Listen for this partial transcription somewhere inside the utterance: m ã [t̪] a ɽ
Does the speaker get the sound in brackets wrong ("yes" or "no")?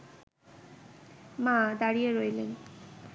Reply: yes